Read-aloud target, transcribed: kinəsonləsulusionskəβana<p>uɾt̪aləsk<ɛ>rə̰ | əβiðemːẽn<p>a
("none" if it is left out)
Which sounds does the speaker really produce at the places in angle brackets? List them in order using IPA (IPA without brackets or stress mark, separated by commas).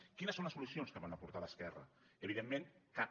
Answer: p, ɛ, k